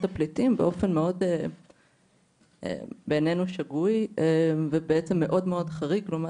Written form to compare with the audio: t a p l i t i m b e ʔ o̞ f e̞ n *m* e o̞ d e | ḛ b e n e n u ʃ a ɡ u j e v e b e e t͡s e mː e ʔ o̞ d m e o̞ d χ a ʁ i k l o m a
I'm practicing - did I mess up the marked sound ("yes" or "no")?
no